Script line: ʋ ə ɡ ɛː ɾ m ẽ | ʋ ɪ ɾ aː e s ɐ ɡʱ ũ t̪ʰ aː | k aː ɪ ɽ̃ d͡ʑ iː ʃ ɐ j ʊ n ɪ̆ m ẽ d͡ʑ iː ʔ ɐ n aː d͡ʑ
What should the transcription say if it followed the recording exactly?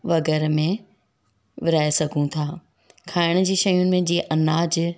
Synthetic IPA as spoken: ʋ ɐ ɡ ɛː ɾ m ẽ | ʋ ɪ ɾ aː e s ɐ ɡʱ ũ t̪ʰ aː | kʰ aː ɪ ɽ̃ d͡ʑ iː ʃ ɐ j ʊ n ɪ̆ m ẽ d͡ʑ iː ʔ ɐ n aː d͡ʑ